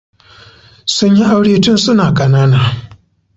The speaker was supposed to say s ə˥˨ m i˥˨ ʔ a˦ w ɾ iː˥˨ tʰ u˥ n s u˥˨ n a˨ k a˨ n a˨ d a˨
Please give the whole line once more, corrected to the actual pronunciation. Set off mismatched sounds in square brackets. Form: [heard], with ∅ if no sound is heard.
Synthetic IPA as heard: s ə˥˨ [ɲ] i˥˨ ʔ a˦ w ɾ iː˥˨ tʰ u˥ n s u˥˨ n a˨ k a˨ n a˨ [n] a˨